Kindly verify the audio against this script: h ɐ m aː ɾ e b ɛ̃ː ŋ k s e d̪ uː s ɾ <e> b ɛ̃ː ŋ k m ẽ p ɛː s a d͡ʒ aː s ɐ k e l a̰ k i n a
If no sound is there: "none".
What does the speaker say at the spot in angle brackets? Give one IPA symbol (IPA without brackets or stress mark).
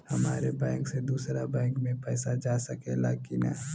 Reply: a